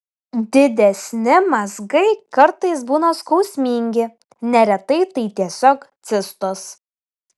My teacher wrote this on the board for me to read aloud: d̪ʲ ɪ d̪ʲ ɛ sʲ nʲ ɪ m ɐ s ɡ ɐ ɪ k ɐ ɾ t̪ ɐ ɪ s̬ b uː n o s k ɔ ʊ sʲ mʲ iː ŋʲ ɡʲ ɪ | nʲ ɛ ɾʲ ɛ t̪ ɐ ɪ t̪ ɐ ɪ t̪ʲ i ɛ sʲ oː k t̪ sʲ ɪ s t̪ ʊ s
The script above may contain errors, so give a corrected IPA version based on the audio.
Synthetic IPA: d̪ʲ ɪ d̪ʲ ɛ sʲ nʲ ɪ m ɐ z ɡ ɐ ɪ k ɐ ɾ t̪ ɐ ɪ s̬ b uː n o s k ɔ ʊ sʲ mʲ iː ŋʲ ɡʲ ɪ | nʲ ɛ ɾʲ ɛ t̪ ɐ ɪ t̪ ɐ ɪ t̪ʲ i ɛ sʲ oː k t̪ sʲ ɪ s t̪ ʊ s